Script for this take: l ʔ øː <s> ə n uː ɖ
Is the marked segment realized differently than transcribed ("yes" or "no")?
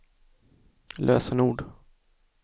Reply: no